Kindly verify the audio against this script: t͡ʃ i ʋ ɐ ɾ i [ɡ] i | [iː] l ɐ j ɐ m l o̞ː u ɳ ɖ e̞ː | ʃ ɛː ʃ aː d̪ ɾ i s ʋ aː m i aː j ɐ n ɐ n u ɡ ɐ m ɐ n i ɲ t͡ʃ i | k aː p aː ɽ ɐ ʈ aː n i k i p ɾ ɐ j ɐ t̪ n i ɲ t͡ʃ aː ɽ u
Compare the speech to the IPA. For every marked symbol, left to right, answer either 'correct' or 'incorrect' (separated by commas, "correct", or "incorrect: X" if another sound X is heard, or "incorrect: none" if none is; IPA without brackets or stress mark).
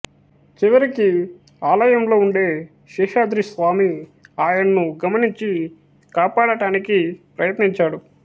incorrect: k, incorrect: aː